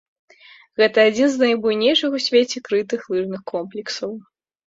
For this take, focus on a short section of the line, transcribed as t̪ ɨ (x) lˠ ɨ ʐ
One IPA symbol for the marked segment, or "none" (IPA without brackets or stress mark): x